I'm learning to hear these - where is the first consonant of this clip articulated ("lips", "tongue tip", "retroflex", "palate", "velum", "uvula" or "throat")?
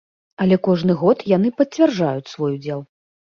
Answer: tongue tip